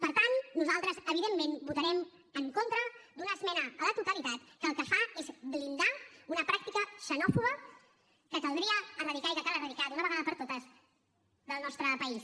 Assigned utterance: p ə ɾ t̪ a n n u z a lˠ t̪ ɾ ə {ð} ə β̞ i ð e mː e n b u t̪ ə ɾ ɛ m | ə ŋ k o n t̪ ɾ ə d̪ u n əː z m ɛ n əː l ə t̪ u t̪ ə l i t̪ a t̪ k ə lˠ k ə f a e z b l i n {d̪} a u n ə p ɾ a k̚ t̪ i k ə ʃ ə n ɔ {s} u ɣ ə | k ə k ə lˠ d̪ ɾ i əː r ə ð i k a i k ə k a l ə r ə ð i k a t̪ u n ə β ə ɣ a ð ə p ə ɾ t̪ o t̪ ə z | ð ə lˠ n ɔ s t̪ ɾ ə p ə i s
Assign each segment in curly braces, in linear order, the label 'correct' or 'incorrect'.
incorrect: z, correct, incorrect: f

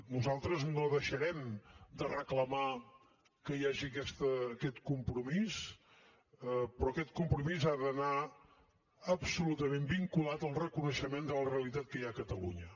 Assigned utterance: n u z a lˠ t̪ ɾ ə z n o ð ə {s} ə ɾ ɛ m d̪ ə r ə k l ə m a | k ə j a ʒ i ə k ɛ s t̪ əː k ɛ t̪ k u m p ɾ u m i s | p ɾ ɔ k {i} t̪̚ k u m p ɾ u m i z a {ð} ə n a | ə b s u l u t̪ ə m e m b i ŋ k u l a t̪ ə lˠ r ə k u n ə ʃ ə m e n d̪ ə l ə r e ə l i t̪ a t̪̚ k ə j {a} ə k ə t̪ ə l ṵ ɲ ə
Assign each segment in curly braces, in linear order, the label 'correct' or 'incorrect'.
incorrect: ʃ, incorrect: ɛ, correct, correct

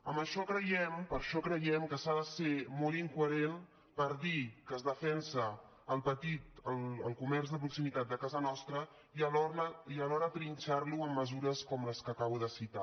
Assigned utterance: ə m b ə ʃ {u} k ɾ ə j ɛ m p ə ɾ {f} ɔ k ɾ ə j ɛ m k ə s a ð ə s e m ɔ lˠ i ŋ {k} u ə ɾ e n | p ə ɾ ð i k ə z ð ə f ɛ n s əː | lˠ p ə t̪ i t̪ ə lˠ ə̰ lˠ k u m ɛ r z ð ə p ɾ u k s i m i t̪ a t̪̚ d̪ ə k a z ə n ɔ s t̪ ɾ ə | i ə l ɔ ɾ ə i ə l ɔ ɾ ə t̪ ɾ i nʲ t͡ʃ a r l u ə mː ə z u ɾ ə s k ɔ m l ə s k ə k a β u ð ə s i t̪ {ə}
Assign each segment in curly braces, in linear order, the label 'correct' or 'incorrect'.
incorrect: ɔ, incorrect: ʃ, correct, incorrect: a

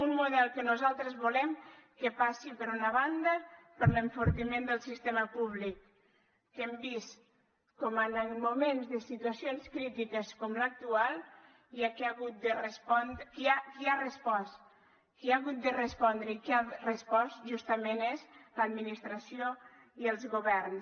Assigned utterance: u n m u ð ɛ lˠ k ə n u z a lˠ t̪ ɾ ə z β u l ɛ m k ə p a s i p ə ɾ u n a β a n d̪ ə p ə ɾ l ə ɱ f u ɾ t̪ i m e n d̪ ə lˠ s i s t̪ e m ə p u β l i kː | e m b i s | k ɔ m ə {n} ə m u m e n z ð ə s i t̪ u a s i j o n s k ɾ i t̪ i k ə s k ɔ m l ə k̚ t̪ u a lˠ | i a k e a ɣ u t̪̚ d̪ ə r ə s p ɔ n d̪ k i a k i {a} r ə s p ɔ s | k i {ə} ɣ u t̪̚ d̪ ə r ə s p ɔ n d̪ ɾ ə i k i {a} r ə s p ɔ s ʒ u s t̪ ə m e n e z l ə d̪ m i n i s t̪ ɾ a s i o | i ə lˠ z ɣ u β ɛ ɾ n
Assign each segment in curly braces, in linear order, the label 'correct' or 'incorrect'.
correct, correct, incorrect: a, correct

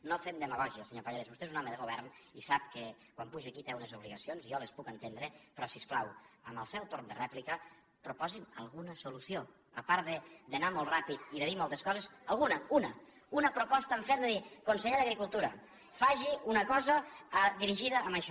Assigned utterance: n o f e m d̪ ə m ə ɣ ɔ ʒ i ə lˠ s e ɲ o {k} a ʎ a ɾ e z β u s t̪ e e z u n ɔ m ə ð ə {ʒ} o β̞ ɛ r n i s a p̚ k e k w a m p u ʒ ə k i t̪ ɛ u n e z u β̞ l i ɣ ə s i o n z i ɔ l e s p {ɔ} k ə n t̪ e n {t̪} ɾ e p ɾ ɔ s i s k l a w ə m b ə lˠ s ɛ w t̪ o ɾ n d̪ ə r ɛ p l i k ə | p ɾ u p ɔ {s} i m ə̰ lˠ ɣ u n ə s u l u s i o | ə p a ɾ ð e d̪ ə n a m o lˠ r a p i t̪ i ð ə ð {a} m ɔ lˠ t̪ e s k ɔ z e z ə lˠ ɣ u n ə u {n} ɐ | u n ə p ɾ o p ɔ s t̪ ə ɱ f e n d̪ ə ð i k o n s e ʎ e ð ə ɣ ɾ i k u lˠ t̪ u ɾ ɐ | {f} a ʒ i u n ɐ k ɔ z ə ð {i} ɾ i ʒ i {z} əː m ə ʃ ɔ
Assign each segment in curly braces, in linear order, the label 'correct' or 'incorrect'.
incorrect: p, incorrect: ɣ, incorrect: u, incorrect: d̪, incorrect: z, incorrect: i, correct, correct, correct, incorrect: ð

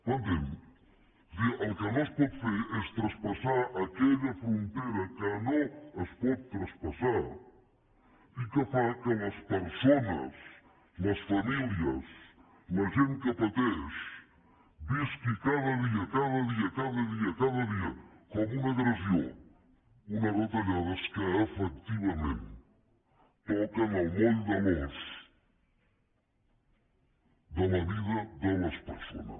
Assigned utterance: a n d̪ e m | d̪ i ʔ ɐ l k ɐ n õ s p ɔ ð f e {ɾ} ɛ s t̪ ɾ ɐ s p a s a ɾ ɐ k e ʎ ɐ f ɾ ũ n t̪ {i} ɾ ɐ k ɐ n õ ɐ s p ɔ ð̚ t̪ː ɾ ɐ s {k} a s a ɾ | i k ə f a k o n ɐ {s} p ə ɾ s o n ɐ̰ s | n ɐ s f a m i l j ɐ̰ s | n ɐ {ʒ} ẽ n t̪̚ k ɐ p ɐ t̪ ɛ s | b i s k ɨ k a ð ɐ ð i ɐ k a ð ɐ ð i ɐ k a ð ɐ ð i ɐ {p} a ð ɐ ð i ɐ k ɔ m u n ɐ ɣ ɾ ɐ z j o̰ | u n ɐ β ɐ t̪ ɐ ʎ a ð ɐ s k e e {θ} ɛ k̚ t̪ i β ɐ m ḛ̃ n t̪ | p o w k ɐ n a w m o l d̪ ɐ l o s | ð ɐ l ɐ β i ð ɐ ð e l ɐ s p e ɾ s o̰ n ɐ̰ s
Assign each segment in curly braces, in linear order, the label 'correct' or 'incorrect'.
correct, incorrect: e, incorrect: p, correct, correct, incorrect: k, incorrect: f

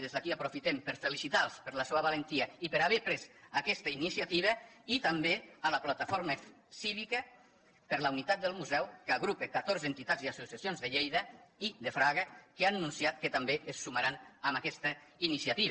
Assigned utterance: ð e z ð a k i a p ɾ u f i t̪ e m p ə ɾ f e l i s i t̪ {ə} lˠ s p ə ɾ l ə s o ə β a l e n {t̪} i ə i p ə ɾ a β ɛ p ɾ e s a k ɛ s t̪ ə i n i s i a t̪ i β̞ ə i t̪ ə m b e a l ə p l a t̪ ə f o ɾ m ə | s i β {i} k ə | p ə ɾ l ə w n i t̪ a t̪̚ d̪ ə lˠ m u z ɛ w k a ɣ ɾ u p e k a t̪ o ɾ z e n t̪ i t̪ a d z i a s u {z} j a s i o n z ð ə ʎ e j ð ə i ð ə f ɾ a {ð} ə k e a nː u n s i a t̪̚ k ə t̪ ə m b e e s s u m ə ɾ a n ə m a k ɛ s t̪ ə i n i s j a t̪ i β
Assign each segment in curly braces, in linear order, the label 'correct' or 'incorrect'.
incorrect: a, correct, correct, incorrect: s, incorrect: ɣ

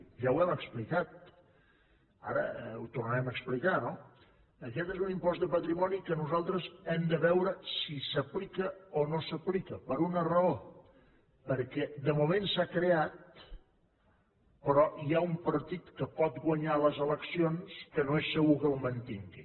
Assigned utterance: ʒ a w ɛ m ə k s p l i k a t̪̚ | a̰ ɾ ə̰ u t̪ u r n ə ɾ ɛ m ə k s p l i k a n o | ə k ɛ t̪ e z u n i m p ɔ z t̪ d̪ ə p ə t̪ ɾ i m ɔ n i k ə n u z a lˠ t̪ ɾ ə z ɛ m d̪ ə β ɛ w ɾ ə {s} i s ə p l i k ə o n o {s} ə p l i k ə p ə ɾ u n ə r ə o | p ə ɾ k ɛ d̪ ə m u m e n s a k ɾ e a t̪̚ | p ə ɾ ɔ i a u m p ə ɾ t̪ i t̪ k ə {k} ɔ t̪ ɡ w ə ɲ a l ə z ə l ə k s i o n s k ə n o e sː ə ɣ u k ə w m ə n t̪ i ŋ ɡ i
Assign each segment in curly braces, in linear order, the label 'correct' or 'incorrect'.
correct, correct, incorrect: p

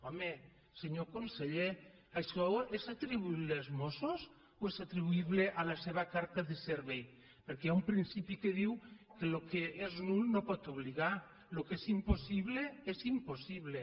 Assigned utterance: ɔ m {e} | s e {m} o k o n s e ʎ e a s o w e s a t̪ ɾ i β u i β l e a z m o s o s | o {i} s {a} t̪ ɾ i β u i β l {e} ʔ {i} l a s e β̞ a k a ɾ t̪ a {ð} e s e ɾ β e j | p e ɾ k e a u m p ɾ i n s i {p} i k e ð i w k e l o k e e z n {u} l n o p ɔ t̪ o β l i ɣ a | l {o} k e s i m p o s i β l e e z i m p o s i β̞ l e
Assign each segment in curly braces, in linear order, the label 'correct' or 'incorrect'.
correct, incorrect: ɲ, incorrect: e, correct, correct, incorrect: a, correct, correct, correct, correct

